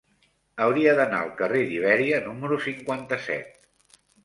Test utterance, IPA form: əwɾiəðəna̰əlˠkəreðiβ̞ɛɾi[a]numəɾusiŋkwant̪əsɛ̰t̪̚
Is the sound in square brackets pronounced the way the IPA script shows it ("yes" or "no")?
no